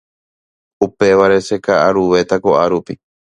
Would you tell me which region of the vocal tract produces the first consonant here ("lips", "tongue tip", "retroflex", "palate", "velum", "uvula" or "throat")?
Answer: lips